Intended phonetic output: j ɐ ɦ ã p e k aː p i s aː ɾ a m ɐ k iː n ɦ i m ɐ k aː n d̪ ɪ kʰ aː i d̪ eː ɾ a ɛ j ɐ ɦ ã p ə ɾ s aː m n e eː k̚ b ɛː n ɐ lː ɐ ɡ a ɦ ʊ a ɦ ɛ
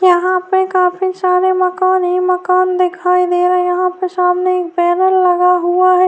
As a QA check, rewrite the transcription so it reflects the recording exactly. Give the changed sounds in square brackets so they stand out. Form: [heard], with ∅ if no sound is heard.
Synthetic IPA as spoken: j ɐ ɦ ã p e k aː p i s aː ɾ [e] m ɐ k [aː] n ɦ i m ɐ k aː n d̪ ɪ kʰ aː i d̪ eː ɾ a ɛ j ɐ ɦ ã p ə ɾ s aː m n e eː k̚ b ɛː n [ə] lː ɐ ɡ a ɦ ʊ a ɦ ɛ